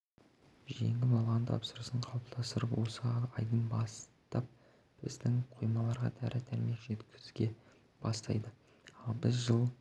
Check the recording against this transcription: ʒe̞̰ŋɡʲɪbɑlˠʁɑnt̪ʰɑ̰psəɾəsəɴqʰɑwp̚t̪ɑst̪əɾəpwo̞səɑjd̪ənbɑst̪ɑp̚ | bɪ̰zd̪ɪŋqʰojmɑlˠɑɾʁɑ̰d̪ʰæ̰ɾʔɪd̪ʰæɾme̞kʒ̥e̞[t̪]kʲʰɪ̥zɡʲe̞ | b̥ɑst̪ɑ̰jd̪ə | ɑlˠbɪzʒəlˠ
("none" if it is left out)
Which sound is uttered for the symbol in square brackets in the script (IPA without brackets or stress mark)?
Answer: t̪